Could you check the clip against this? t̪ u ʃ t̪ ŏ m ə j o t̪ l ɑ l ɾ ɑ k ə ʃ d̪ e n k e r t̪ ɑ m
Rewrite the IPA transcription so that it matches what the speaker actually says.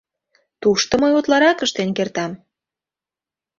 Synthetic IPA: t̪ u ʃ t̪ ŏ m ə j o t̪ l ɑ ɾ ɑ k ə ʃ t̪ e n k e r t̪ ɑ m